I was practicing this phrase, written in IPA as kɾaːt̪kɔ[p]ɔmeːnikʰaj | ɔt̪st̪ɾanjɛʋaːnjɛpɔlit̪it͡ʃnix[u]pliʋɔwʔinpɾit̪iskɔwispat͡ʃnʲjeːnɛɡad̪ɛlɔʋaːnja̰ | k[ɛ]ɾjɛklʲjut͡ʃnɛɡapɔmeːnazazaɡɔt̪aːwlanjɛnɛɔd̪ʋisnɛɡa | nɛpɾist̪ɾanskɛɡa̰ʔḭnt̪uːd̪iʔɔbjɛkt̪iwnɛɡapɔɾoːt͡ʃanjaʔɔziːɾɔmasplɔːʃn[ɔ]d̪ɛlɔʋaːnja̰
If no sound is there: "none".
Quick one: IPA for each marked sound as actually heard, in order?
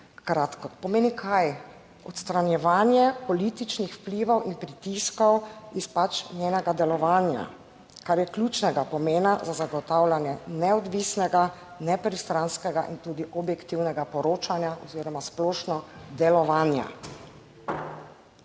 p, w, a, ɔ

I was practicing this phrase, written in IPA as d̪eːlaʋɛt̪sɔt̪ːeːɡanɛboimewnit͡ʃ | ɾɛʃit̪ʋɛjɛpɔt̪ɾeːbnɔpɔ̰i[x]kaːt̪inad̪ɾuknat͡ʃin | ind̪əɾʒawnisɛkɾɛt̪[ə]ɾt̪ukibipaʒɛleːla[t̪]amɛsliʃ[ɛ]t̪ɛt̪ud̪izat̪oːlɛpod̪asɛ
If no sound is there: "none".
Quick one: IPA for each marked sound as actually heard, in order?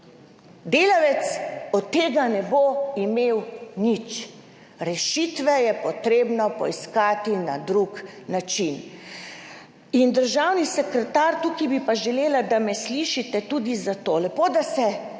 s, a, d̪, i

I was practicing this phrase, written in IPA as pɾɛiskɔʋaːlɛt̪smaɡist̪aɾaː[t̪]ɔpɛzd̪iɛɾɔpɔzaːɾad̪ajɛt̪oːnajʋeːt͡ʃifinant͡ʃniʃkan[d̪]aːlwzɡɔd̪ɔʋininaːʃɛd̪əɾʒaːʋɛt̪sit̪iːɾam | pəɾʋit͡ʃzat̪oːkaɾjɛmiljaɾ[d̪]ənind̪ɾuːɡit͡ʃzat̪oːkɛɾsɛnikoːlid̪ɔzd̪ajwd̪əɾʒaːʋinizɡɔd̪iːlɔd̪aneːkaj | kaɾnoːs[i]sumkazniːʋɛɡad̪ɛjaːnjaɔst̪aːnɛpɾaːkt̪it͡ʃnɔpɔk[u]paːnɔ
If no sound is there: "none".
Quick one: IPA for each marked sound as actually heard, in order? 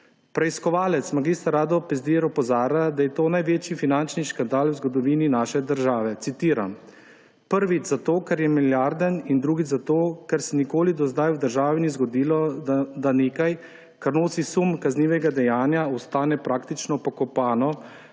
d̪, d̪, d̪, i, ɔ

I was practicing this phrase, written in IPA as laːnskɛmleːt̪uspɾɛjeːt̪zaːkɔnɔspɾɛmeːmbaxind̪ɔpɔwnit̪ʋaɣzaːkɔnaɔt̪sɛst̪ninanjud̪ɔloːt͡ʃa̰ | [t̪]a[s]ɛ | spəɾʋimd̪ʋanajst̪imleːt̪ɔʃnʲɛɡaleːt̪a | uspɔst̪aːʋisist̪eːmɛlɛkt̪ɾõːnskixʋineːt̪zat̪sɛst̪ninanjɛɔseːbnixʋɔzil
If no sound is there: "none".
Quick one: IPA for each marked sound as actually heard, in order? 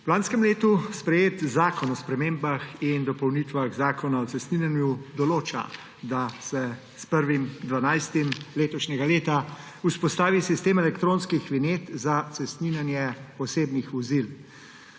d̪, s

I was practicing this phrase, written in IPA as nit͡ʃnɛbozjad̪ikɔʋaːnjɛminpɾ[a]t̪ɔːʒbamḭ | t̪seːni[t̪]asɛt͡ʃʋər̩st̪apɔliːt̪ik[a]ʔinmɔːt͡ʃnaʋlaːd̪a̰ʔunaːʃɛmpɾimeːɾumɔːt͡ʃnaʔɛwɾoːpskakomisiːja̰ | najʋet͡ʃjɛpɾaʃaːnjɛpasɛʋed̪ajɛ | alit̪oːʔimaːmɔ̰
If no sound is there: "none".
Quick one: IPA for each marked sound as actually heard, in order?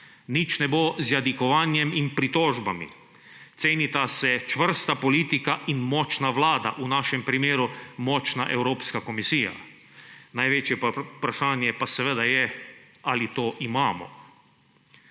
i, t̪, a

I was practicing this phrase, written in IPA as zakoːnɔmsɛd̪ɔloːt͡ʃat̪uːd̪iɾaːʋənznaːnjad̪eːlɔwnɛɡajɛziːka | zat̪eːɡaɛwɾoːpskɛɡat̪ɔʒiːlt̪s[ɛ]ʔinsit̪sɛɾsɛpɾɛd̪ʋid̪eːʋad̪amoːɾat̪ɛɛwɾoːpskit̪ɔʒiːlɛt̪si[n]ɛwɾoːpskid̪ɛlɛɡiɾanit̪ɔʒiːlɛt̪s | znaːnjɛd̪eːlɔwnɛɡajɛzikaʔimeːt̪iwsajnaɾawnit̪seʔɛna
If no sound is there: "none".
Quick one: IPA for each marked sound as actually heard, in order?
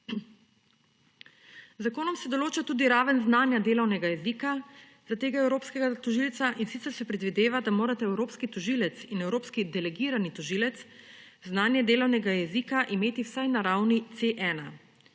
a, n

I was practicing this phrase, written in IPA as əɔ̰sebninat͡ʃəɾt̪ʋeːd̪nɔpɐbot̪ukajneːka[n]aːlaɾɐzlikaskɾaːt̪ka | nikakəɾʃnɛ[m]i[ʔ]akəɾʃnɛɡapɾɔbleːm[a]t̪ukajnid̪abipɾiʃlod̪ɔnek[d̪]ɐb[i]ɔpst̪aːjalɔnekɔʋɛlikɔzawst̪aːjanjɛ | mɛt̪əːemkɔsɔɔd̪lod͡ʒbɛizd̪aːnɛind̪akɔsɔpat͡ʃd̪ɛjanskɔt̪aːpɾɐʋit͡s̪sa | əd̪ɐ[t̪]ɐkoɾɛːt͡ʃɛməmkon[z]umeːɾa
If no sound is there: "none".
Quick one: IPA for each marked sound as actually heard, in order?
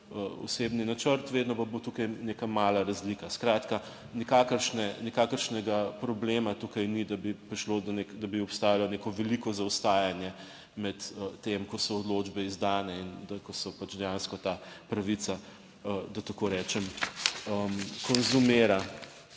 m, n, k, a, d̪, i, t̪, z

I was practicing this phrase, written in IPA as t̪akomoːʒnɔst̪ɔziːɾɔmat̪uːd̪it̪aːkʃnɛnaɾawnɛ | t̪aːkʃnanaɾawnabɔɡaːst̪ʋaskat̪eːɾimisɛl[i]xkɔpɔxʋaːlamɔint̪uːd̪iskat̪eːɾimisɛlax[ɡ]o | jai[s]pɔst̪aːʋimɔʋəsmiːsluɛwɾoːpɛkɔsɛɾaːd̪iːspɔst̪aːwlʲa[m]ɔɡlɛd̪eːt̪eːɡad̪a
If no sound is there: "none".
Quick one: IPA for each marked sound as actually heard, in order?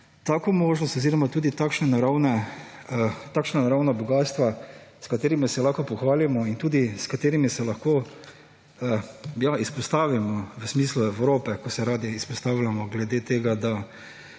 a, k, s, m

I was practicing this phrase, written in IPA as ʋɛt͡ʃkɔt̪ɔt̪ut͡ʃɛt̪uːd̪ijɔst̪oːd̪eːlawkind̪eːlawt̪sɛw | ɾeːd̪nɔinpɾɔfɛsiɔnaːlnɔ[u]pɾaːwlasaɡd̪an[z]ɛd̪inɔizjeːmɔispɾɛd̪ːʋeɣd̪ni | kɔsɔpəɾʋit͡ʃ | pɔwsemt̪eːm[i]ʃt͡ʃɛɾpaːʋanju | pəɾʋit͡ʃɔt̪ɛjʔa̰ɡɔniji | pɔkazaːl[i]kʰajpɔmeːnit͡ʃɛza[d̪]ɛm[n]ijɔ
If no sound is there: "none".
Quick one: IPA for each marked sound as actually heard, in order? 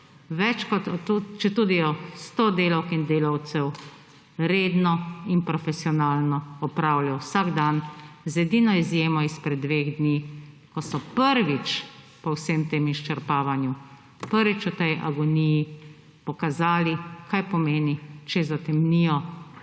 ɔ, z, i, i, t̪, n

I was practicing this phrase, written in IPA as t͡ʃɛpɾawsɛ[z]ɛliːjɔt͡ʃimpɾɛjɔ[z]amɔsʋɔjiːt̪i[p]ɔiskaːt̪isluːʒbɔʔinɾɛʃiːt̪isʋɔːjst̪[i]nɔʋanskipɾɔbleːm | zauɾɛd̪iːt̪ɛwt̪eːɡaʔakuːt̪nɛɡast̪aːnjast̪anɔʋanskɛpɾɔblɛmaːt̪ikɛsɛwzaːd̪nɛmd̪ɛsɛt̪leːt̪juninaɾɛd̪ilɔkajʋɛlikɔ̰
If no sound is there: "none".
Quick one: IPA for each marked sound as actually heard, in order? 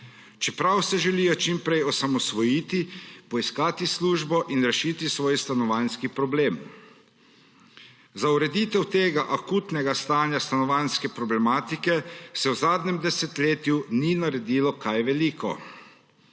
ʒ, s, p, a

